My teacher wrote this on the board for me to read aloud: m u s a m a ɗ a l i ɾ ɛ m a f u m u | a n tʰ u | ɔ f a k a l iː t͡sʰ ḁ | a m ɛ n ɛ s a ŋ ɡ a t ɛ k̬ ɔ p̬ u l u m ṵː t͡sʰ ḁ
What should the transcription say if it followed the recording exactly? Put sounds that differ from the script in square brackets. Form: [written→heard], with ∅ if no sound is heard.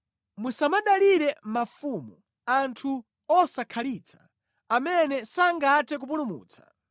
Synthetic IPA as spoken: m u s a m a ɗ a l i ɾ ɛ m a f u m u | a n tʰ u | ɔ [f→s] a [k→kʰ] a l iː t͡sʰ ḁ | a m ɛ n ɛ s a ŋ ɡ a t ɛ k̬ [ɔ→u] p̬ u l u m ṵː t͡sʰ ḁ